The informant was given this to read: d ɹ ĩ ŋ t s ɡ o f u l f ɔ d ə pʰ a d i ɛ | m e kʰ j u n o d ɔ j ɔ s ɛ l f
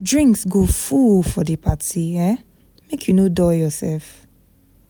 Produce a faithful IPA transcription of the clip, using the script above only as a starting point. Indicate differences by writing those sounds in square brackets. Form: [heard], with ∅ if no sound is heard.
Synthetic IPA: d ɹ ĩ ŋ [k] s ɡ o f u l f ɔ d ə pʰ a [t] i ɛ | m e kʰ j u n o d ɔ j ɔ s ɛ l f